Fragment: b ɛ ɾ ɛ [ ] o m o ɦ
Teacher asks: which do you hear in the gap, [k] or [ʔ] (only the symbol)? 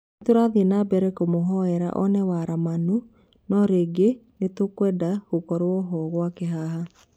k